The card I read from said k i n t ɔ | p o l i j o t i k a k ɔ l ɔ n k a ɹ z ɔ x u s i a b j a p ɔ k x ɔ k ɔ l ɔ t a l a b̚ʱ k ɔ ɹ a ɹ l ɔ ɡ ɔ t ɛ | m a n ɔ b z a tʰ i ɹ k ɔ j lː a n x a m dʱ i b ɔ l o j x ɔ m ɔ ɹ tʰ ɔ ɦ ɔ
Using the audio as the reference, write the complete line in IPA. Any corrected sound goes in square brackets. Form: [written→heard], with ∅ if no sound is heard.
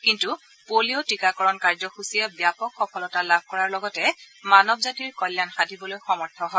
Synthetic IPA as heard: k i n t [ɔ→u] | p o l i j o t i k a k ɔ [l→ɹ] ɔ n k a ɹ z ɔ x u s i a b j a p ɔ k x ɔ k ɔ l ɔ t a l a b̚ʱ k ɔ ɹ a ɹ l ɔ ɡ ɔ t ɛ | m a n ɔ b z a [tʰ→t] i ɹ k ɔ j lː a n x a [m→∅] dʱ i b ɔ l o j x ɔ m ɔ ɹ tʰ ɔ ɦ ɔ